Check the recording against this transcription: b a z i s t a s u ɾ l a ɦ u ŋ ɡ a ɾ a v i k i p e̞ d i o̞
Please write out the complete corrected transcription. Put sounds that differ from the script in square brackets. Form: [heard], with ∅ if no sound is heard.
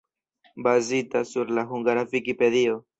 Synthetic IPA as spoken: b a z i [∅] t a s u ɾ l a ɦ u ŋ ɡ a ɾ a v i k i p e̞ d i o̞